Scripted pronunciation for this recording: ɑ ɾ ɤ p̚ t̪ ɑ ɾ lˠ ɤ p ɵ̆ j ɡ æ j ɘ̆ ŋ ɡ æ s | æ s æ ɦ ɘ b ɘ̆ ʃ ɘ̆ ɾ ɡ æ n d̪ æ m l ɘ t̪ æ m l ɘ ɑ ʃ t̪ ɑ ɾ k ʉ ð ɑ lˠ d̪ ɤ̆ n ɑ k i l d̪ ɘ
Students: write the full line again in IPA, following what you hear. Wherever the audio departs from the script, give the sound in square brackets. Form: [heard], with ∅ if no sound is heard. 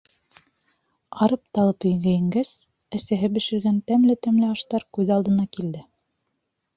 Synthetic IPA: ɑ ɾ ɤ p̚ t̪ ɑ [∅] lˠ ɤ p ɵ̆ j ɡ æ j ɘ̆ ŋ ɡ æ s | æ s æ ɦ ɘ b ɘ̆ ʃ ɘ̆ ɾ ɡ æ n [t̪] æ m l ɘ t̪ æ m l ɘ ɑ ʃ t̪ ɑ ɾ k ʉ ð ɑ lˠ d̪ ɤ̆ n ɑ k i l d̪ ɘ